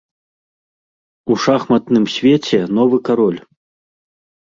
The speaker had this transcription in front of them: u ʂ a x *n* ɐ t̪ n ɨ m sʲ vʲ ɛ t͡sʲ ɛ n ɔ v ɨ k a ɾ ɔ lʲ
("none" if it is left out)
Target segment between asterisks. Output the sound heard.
m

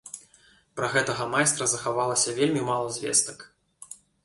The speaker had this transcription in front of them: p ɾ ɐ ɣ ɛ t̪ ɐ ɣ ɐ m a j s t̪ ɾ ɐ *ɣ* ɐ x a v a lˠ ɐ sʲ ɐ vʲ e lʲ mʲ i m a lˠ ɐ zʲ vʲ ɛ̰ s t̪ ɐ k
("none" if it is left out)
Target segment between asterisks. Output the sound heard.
z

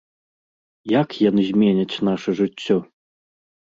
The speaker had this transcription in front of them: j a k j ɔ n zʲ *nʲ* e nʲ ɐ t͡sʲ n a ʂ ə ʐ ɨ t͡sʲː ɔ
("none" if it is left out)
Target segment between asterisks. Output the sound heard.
mʲ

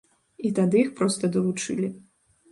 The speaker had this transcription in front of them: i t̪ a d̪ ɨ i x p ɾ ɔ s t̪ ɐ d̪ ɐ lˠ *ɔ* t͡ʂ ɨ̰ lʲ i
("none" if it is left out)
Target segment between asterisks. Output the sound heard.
u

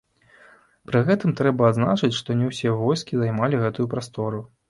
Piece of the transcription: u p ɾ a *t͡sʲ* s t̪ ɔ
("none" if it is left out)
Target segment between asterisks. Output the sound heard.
none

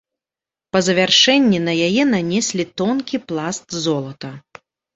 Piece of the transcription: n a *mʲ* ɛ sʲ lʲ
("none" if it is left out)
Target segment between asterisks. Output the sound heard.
nʲ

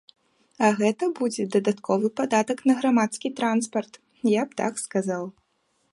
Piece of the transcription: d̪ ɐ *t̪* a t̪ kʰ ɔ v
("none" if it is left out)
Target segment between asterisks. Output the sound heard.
d̪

